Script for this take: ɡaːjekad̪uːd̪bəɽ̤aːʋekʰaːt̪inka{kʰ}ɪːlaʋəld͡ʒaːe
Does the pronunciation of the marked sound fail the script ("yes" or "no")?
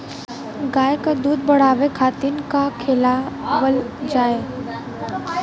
no